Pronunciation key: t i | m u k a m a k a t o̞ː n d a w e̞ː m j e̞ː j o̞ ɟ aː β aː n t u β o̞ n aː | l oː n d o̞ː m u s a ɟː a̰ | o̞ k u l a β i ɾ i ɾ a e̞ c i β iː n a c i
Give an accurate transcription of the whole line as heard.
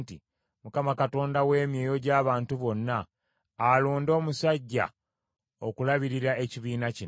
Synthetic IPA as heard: t i | m u k a m a k a t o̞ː n d a w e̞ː m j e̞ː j o̞ ɟ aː β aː n t u β o̞ nː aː | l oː n d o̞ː m u s a ɟː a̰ | o̞ k u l a β i ɾ i ɾ a e̞ c i β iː n a c i